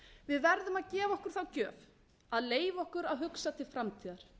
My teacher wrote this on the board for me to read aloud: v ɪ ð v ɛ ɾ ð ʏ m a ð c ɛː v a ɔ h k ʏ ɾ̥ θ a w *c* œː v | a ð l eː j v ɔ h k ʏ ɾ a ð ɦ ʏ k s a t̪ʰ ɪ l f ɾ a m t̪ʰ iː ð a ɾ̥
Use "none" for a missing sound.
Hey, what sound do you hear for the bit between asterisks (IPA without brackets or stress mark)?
c